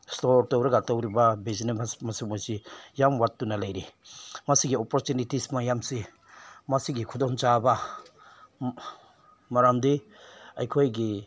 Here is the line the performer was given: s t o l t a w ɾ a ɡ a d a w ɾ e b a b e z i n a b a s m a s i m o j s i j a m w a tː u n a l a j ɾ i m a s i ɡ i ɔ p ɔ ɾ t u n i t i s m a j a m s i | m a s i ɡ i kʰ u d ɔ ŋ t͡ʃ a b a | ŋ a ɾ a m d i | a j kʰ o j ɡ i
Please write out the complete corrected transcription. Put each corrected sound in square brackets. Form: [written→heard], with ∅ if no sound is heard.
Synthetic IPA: s t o [l→ɾ] t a w ɾ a ɡ a [d→t] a w ɾ [e→i] b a b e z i n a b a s m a s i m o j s i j a m w a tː u n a l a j ɾ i m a s i ɡ i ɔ p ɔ ɾ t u n i t i s m a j a m s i | m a s i ɡ i kʰ u d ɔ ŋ t͡ʃ a b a | [ŋ→m] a ɾ a m d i | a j kʰ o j ɡ i